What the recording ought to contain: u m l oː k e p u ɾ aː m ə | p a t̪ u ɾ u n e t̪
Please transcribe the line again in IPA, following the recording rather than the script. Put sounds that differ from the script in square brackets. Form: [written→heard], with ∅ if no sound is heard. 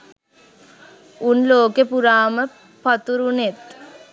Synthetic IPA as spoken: u [m→n] l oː k e p u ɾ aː m ə | p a t̪ u ɾ u n e t̪